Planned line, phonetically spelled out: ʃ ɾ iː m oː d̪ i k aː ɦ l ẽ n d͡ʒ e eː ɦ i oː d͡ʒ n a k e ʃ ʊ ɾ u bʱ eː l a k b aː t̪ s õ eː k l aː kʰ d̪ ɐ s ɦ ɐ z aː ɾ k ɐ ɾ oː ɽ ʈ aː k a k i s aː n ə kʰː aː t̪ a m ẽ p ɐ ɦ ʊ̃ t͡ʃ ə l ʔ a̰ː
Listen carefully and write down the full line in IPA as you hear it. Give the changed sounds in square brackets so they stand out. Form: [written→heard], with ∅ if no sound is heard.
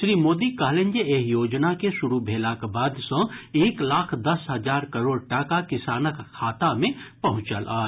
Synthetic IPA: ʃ ɾ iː m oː d̪ i k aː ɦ l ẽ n d͡ʒ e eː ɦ [i→j] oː d͡ʒ n a k e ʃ ʊ ɾ u bʱ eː l a k b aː [t̪→d̪] s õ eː k l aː kʰ d̪ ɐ s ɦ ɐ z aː ɾ k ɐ ɾ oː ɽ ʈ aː k a k [i→ɪ] s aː n ə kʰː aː t̪ a m ẽ p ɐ ɦ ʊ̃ t͡ʃ ə l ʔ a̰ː